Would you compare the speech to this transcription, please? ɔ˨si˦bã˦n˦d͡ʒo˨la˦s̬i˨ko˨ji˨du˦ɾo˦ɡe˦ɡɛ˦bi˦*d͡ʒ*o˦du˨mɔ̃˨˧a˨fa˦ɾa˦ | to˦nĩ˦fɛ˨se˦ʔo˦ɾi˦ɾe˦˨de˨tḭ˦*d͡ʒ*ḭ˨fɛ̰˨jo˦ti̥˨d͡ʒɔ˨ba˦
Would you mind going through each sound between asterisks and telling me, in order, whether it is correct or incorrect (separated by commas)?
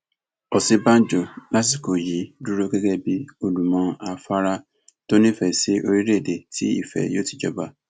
incorrect, incorrect